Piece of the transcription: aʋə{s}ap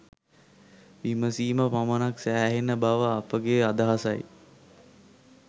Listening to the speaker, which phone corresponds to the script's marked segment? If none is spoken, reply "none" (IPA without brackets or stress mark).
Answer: none